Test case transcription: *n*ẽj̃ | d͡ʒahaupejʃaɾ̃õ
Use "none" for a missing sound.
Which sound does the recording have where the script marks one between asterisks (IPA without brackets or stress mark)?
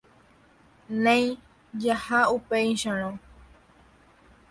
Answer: n